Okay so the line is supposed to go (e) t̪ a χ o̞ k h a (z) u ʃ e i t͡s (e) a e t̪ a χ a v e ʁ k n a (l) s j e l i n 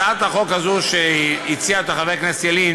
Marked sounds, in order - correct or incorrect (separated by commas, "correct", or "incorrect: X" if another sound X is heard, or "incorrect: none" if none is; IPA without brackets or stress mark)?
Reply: incorrect: a, correct, incorrect: i, incorrect: none